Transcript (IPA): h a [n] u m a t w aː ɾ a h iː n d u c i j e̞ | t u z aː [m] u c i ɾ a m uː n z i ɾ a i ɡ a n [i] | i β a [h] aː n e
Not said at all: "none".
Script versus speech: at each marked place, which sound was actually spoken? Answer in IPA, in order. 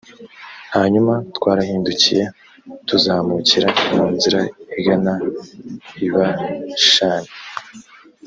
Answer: ɲ, m, a, ʃ

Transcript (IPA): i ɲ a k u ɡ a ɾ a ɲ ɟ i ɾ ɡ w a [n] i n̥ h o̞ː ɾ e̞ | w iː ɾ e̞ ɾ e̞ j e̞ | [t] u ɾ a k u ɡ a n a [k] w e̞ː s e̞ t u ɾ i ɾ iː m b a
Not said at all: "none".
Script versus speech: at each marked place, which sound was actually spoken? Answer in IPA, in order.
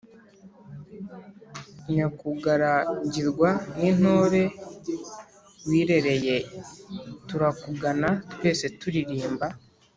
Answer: n, t, t

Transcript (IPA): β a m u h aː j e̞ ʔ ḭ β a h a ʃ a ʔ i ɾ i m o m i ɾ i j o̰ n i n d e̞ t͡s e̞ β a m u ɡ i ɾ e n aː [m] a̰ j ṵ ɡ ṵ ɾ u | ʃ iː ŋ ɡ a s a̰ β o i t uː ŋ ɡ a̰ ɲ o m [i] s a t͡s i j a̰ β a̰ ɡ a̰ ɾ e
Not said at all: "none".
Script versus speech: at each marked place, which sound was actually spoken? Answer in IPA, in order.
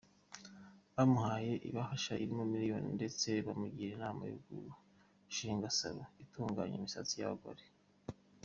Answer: m, i

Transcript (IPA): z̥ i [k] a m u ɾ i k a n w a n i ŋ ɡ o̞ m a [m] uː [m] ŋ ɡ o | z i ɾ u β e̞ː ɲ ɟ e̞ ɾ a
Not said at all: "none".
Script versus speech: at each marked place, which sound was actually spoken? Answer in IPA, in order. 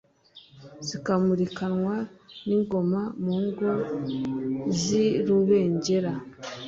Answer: k, m, none

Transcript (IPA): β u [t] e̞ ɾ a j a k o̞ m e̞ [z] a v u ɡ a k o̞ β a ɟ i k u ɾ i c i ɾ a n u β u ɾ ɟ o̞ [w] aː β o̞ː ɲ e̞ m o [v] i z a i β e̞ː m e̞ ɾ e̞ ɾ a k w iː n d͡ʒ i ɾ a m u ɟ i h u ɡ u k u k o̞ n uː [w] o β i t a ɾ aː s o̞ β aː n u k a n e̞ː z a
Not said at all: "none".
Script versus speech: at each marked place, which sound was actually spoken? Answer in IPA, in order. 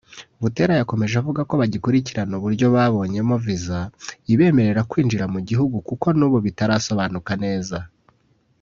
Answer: t, ʒ, β, v, β

